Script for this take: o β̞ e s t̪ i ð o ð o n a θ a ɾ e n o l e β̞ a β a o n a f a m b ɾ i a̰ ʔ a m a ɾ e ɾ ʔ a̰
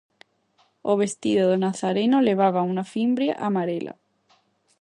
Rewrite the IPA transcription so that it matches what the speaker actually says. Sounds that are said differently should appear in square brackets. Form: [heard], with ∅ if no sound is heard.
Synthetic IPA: o β̞ e s t̪ i ð o ð o n a θ a ɾ e n o l e β̞ a β a [u] n a f [i] m b ɾ [j] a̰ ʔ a m a ɾ e [l] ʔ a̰